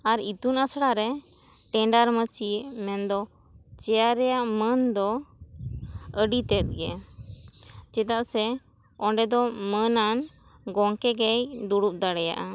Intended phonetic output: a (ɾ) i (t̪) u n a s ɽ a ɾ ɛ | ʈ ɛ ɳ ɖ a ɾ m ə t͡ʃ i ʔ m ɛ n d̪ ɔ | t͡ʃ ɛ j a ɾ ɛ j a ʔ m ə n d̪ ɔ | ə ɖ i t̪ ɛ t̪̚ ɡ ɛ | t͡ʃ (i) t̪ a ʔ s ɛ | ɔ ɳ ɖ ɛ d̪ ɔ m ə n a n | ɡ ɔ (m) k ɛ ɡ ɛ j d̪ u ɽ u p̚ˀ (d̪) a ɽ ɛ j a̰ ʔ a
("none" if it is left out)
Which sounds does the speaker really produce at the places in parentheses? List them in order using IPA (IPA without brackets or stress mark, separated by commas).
ɾ, t̪, ɛ, ŋ, d̪